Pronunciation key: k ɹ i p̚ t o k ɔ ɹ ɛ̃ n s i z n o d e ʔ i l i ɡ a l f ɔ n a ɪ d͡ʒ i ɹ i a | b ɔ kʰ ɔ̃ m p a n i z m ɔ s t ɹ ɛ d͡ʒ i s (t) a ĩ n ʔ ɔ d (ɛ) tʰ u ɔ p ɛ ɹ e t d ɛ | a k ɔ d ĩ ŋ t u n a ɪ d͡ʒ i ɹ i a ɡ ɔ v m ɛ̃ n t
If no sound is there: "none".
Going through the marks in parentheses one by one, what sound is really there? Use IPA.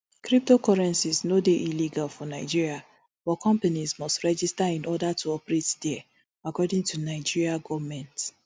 t, a

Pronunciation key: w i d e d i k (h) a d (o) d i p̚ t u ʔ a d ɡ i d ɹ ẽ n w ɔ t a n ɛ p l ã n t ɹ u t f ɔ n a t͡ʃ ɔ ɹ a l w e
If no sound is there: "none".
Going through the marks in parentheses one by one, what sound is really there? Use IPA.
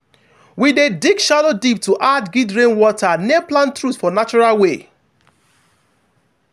ʃ, o

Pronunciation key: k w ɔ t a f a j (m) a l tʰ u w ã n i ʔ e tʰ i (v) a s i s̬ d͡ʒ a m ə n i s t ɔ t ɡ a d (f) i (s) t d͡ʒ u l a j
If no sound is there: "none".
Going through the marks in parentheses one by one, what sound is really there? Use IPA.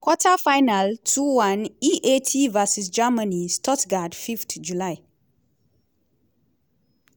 n, v, f, f

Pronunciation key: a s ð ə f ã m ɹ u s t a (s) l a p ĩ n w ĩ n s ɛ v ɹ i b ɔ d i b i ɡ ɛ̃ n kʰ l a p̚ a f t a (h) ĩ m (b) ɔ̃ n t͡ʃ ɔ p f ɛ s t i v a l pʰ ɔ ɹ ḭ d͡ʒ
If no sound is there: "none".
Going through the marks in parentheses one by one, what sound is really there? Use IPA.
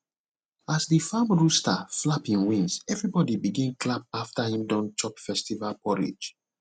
f, h, d

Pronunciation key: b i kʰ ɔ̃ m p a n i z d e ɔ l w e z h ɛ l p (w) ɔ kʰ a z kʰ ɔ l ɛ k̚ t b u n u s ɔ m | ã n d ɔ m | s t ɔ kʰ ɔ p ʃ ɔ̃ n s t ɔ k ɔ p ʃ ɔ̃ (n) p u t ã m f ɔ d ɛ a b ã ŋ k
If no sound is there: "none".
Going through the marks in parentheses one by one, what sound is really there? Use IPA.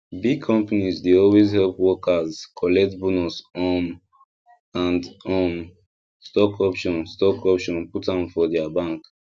w, n

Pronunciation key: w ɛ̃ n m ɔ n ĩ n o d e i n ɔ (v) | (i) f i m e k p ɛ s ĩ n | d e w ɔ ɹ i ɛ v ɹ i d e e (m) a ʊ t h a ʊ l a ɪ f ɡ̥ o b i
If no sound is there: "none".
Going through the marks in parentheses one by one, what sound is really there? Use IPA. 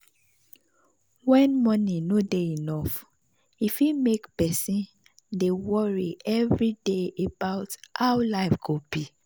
f, i, b

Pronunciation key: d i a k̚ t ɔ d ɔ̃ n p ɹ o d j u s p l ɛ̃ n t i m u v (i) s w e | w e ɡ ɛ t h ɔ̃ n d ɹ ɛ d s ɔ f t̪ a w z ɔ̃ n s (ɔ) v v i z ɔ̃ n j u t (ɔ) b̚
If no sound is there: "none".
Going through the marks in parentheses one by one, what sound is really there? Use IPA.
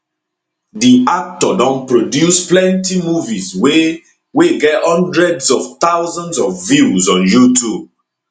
i, ɔ, u

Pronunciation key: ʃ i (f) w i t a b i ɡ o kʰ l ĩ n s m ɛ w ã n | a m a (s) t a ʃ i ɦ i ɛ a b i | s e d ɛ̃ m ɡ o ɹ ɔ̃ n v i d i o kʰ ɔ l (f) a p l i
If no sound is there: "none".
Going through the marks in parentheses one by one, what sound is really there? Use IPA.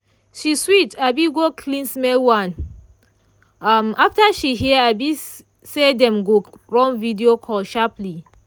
s, f, ʃ

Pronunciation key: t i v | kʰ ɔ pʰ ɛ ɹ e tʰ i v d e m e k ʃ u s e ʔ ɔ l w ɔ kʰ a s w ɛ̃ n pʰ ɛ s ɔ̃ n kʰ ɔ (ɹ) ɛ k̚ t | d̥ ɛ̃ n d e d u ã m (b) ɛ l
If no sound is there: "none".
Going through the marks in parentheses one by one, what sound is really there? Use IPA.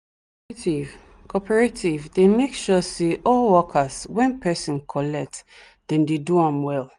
l, w

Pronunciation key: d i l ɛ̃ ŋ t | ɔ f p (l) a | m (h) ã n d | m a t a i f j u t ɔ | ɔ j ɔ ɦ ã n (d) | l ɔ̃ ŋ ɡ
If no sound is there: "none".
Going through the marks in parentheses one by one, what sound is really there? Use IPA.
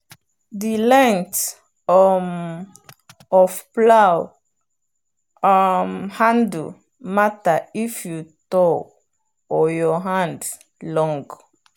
l, h, d

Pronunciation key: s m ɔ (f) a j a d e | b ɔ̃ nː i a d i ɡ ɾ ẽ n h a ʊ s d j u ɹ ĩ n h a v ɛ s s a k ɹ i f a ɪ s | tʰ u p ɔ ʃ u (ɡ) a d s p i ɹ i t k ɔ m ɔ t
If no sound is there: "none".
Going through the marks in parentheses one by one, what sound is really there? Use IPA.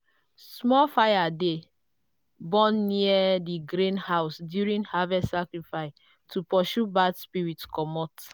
f, b

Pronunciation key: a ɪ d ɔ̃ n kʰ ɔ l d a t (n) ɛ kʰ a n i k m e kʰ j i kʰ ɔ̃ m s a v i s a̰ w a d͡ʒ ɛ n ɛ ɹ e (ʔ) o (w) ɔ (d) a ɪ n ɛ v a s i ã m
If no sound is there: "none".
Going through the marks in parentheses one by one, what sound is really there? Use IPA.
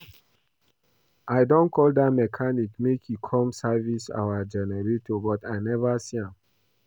m, t, b, t

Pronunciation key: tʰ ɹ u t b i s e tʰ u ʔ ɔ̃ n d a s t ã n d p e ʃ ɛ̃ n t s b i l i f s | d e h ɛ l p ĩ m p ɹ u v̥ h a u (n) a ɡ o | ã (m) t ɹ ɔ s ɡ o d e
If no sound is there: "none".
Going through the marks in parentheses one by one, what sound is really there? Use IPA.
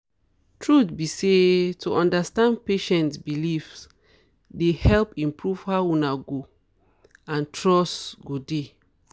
n, n

